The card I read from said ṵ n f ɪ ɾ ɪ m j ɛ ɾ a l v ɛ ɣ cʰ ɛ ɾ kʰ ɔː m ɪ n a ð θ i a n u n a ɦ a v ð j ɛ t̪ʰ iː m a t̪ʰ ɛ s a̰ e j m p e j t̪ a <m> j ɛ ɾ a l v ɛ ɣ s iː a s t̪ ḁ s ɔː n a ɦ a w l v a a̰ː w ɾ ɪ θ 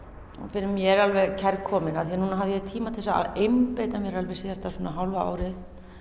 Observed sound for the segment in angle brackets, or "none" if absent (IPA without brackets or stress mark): m